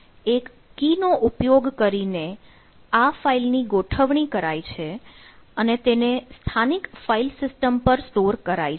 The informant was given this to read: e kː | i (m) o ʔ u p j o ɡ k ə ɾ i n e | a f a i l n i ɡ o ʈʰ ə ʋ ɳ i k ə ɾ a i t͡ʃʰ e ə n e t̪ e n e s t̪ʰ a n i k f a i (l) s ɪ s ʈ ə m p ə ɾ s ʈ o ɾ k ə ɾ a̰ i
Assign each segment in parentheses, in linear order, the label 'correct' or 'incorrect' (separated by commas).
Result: incorrect, correct